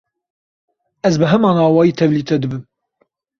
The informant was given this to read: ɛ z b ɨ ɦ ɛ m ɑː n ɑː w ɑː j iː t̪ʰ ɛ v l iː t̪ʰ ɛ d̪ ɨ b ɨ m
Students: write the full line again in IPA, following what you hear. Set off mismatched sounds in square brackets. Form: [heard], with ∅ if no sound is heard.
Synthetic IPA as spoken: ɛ z b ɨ ɦ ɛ m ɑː n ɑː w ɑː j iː t̪ʰ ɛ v l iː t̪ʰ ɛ d̪ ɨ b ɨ m